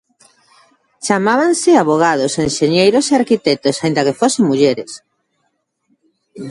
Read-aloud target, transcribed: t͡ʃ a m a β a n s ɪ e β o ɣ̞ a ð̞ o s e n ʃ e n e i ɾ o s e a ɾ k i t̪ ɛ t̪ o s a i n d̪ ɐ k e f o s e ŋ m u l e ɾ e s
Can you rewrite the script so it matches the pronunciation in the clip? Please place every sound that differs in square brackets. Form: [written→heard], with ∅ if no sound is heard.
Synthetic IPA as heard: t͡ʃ a m a β a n s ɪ [e→a] β o ɣ̞ a ð̞ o s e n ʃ e [n→ɲ] e [i→j] ɾ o s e a ɾ k i t̪ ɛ t̪ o s a i n d̪ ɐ k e f o s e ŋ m u [l→ʎ] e ɾ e s